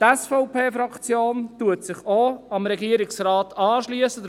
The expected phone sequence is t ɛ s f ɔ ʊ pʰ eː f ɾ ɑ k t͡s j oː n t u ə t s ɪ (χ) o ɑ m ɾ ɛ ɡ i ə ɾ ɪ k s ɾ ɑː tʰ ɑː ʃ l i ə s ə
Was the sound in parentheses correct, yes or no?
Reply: yes